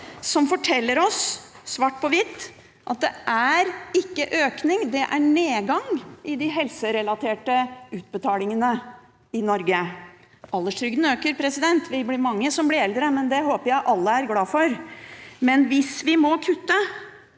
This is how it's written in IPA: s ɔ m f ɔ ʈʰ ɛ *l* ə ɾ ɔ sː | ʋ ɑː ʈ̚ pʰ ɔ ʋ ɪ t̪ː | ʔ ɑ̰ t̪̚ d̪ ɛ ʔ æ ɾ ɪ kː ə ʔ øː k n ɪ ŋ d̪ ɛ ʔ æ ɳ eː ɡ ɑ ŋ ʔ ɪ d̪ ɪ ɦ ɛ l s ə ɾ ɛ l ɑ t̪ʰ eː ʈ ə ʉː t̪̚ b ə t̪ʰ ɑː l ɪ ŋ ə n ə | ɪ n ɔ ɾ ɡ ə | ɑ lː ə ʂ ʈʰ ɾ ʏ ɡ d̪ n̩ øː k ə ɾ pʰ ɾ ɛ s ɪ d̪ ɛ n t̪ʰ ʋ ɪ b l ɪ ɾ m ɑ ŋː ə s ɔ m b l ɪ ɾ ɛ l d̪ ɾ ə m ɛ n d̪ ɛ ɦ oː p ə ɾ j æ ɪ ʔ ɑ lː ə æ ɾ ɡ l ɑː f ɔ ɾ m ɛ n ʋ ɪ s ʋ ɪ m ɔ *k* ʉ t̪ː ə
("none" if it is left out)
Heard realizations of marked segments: lː, kʰ

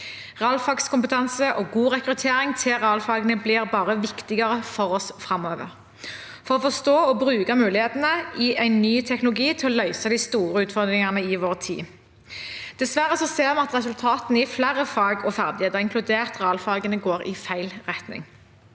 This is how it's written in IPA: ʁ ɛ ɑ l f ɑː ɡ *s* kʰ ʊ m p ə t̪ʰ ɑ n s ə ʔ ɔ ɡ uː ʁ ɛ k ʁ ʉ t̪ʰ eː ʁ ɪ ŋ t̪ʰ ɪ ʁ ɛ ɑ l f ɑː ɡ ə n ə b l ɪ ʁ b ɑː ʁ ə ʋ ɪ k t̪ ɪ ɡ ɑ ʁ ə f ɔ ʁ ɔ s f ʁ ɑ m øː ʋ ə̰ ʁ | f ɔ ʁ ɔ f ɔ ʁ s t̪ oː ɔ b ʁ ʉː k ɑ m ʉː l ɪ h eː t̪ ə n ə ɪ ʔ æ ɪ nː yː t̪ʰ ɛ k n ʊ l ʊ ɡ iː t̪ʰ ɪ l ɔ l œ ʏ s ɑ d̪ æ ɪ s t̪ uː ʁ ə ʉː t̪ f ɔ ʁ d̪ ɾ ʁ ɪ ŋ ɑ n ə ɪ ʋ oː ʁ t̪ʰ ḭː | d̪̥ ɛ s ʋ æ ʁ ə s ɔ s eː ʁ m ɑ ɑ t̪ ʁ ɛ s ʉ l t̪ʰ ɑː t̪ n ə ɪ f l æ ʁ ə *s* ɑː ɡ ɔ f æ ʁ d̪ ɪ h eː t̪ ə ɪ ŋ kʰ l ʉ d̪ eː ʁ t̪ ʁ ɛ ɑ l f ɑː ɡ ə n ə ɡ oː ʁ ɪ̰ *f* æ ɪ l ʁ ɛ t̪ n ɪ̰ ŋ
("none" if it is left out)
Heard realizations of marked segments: s, f, f

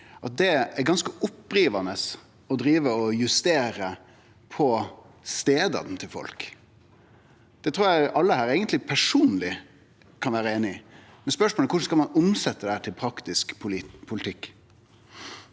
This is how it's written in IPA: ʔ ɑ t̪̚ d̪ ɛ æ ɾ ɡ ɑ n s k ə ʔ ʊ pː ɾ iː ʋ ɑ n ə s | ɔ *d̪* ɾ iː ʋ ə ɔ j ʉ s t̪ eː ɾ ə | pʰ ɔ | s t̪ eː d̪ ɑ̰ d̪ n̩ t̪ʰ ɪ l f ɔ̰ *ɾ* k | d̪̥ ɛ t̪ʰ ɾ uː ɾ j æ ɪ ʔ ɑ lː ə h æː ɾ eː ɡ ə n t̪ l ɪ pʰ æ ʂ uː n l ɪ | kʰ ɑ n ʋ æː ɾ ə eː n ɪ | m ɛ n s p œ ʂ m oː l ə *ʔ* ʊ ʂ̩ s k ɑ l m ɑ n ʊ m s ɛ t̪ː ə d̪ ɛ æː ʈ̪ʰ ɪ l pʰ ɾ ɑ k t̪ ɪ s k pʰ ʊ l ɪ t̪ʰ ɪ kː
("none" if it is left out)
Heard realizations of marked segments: d̪, l, k

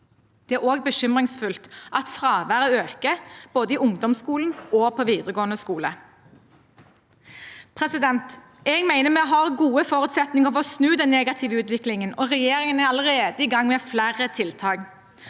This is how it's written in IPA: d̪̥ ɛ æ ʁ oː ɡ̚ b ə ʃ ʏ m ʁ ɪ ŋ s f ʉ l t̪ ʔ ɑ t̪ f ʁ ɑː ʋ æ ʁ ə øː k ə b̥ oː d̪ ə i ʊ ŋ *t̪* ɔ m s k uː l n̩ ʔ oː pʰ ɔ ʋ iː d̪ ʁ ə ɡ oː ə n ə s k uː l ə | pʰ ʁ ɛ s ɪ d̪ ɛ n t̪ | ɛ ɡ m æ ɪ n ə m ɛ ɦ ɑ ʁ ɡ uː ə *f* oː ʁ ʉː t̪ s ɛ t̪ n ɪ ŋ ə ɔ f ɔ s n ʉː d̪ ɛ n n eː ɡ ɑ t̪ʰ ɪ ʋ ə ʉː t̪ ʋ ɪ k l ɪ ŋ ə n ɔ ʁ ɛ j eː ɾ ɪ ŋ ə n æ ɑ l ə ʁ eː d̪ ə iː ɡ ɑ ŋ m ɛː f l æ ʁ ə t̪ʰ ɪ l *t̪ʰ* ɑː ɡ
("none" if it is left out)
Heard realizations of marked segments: d̪, f, t̪ʰ

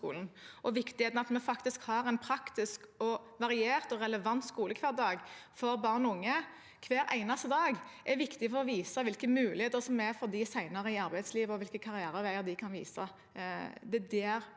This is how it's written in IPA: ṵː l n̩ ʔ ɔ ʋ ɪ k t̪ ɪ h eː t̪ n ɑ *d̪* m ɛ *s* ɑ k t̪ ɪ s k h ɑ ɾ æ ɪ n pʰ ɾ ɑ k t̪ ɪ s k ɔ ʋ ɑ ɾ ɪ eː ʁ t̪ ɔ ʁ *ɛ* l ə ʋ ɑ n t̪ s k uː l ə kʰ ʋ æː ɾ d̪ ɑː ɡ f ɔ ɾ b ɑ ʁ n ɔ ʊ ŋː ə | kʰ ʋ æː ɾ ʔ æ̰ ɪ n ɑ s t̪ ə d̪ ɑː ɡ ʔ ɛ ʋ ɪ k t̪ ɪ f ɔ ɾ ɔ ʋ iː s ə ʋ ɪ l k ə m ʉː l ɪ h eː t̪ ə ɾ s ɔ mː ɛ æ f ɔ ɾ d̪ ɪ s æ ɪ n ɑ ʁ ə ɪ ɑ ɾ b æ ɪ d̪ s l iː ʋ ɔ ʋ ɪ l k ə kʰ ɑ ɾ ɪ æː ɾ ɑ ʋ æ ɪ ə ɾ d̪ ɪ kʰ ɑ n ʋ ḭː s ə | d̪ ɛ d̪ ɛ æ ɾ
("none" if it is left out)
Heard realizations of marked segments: t̪, f, ɛ

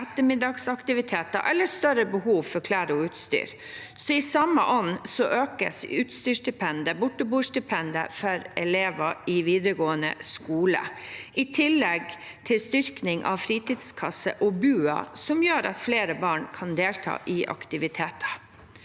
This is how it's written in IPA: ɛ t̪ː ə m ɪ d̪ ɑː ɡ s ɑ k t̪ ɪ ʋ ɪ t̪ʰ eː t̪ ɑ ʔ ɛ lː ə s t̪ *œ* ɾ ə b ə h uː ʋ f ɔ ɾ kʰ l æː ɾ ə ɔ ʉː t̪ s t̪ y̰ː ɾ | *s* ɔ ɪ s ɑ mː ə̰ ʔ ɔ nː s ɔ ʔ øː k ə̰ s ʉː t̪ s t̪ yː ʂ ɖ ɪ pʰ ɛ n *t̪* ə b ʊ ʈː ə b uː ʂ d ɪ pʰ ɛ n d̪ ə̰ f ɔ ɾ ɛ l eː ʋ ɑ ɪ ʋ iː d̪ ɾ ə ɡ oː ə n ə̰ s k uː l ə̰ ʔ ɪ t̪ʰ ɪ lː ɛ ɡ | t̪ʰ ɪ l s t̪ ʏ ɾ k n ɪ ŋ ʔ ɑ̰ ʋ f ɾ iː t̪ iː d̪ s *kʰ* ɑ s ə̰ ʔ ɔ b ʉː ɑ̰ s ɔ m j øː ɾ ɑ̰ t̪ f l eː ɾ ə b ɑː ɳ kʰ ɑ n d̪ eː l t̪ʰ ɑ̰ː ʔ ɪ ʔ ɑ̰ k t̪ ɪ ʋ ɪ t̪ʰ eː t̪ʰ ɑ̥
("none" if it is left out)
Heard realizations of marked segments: œ, s, d̪, kʰ

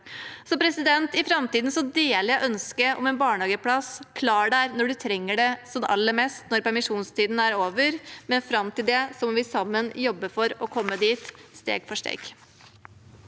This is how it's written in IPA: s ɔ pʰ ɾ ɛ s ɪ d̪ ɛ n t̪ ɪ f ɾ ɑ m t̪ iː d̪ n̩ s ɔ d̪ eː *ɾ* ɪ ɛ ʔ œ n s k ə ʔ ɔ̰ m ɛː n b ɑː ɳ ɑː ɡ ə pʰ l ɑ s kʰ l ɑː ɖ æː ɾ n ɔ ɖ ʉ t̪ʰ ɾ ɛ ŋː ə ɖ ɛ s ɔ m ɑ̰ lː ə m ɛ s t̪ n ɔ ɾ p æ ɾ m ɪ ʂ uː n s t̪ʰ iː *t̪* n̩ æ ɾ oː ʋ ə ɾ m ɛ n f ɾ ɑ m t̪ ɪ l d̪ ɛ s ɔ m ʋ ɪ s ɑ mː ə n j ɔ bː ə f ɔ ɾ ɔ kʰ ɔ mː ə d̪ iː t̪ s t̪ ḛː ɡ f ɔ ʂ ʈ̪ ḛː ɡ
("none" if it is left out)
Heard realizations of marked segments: l, d̪

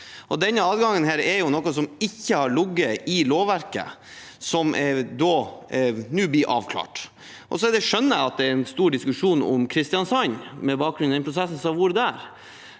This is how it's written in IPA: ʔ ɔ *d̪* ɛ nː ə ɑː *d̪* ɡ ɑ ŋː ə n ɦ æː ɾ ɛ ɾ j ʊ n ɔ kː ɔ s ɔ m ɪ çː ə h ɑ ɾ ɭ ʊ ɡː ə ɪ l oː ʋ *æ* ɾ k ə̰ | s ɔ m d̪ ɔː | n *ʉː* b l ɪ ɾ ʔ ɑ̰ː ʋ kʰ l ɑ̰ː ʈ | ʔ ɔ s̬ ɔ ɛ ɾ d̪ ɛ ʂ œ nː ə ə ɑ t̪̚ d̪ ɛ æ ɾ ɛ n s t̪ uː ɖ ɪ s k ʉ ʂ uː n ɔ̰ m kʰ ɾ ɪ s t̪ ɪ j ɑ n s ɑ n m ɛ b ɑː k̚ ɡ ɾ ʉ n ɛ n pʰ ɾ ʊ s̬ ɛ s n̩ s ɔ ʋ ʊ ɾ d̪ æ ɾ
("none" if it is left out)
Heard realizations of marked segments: d̪, d̪, æ, ʉː

